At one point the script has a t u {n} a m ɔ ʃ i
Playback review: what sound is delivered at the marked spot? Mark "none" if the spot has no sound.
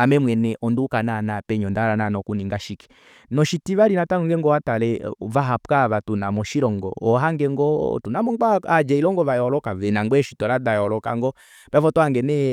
n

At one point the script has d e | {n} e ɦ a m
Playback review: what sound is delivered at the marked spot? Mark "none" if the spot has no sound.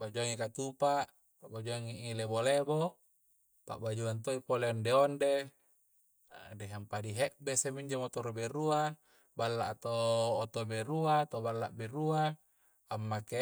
d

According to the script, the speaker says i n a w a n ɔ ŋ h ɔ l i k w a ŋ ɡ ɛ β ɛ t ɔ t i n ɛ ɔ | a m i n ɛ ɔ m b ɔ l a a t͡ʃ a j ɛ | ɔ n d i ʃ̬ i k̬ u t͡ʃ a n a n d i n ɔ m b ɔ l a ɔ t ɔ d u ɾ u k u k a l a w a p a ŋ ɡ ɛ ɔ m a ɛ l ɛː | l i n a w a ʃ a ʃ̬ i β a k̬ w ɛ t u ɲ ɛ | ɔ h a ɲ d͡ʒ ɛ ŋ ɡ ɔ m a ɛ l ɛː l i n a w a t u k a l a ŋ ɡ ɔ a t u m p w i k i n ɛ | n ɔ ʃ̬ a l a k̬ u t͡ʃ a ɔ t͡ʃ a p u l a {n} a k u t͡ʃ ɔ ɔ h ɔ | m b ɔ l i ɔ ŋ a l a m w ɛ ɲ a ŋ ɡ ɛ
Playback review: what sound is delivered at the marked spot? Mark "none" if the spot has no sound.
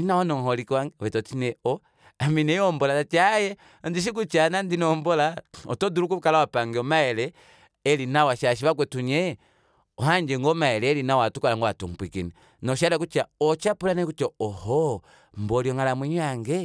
n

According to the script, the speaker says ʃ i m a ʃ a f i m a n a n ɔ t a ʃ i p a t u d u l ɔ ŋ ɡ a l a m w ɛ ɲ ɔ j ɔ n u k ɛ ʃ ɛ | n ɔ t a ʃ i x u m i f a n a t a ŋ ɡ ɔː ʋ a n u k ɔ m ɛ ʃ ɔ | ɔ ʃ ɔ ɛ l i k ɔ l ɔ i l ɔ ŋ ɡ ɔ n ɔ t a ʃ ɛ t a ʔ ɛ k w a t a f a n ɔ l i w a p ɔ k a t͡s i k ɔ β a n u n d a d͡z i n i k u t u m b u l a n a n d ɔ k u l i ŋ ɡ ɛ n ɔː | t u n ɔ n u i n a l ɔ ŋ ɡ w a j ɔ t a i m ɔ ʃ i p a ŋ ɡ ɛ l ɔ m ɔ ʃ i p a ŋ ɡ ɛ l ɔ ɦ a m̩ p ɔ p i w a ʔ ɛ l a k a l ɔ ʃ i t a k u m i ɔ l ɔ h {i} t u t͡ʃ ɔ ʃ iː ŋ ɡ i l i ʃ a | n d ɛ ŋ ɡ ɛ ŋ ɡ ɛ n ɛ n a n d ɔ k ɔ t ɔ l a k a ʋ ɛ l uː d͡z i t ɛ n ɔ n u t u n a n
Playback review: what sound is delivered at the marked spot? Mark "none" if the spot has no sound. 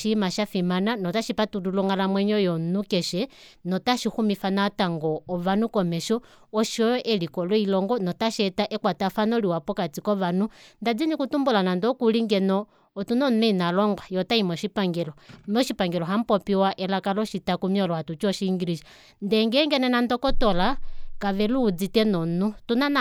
a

